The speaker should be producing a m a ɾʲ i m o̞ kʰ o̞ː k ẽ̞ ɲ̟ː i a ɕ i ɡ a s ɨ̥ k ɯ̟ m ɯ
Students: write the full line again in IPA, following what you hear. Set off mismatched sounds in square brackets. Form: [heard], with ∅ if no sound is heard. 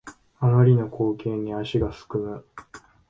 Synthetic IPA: a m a ɾʲ i [n] o̞ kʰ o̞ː k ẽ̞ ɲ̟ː i a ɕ i ɡ a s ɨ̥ k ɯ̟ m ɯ